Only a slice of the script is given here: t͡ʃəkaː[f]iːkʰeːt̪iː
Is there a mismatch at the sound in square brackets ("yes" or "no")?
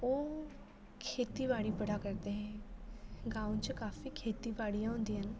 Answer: no